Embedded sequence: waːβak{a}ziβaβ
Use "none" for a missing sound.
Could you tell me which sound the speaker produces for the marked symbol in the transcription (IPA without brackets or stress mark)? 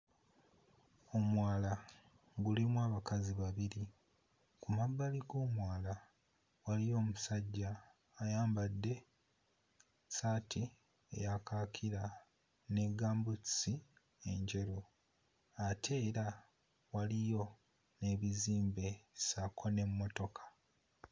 a